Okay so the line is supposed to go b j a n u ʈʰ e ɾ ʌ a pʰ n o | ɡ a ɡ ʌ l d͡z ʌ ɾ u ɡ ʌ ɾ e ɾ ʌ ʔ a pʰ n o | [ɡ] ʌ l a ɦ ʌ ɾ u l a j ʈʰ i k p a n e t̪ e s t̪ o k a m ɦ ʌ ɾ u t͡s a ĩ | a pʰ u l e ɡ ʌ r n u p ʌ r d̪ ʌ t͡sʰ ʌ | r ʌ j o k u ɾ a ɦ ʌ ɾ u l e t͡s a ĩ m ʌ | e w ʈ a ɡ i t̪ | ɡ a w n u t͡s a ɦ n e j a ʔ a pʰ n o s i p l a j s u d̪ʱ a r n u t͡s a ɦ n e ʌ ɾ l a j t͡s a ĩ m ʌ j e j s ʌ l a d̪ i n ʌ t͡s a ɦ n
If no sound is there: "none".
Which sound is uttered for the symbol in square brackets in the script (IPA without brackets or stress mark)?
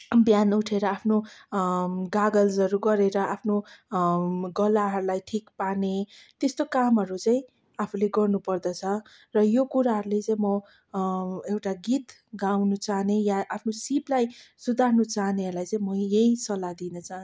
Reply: ɡ